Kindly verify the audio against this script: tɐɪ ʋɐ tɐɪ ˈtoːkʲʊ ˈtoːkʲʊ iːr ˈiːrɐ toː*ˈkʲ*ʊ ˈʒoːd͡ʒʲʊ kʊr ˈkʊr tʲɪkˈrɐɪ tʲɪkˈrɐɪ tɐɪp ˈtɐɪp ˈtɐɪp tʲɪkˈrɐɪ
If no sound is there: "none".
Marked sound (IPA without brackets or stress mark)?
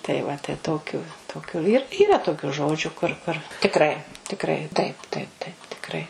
kʲ